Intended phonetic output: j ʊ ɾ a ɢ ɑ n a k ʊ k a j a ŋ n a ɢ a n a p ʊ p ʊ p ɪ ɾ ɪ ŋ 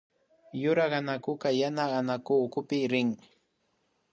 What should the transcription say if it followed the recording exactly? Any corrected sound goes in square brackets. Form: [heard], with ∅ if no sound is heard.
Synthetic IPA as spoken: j ʊ ɾ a ɢ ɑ n a k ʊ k a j a [∅] n a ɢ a n a [k] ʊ [k] ʊ p ɪ ɾ ɪ ŋ